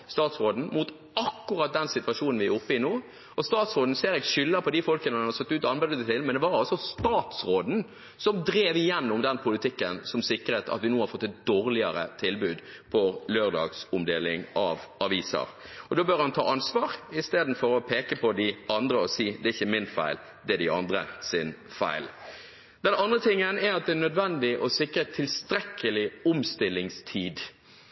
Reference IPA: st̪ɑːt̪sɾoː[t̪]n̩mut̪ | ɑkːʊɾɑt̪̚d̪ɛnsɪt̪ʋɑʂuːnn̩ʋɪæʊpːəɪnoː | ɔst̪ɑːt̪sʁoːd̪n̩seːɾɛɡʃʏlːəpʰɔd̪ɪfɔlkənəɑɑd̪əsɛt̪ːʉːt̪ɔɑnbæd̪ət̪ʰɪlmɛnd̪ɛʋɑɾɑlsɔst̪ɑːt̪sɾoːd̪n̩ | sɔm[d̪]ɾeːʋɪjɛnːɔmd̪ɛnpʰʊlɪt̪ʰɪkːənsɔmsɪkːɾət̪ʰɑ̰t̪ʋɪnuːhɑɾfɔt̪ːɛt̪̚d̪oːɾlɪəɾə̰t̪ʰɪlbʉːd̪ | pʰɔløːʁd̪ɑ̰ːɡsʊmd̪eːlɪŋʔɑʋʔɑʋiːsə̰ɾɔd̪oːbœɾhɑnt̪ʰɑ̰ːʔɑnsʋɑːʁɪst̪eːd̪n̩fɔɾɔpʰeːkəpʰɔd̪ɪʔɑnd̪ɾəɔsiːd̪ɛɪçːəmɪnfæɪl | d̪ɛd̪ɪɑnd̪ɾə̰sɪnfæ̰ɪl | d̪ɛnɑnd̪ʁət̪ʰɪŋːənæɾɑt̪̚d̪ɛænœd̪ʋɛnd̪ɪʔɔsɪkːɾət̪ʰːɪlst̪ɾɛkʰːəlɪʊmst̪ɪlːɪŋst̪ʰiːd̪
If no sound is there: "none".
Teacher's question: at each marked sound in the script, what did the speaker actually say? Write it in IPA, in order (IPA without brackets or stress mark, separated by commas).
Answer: d̪, d̪